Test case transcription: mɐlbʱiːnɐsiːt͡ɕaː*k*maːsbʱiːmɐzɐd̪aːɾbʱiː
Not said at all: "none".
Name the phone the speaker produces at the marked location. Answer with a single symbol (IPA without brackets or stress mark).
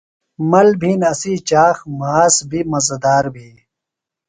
x